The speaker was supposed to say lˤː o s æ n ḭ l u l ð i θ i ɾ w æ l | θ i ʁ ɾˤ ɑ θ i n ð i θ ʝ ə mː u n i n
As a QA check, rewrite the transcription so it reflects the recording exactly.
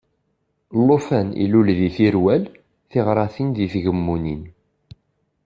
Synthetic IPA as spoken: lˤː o f æ n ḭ l u l ð i θ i ɾ w æ l | θ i ʁ ɾˤ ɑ θ i n ð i θ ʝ ə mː u n i n